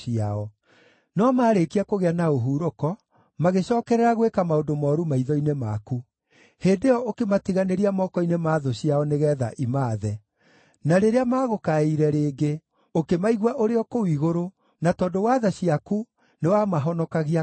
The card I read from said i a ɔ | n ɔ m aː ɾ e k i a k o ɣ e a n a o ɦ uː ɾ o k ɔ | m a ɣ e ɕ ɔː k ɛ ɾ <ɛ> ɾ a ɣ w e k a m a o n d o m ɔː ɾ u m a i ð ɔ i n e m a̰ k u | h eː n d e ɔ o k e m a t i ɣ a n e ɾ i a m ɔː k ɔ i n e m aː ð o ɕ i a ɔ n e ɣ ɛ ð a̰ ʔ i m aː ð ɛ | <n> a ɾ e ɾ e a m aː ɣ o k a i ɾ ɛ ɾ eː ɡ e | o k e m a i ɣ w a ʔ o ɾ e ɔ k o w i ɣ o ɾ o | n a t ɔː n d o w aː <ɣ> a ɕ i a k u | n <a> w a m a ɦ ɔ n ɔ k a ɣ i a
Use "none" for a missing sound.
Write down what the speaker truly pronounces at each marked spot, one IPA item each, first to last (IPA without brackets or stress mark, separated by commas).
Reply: ɛ, n, ð, e